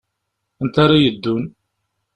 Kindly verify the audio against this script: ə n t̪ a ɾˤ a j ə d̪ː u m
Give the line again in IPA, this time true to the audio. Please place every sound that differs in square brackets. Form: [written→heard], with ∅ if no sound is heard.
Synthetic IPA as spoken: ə n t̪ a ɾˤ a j ə d̪ː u [m→n]